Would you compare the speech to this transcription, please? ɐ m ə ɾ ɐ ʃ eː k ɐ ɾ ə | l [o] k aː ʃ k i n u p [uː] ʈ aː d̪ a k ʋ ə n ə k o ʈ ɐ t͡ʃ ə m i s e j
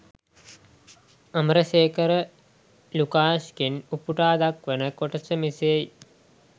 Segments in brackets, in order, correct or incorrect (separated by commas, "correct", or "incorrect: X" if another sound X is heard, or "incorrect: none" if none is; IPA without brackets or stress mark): incorrect: u, incorrect: u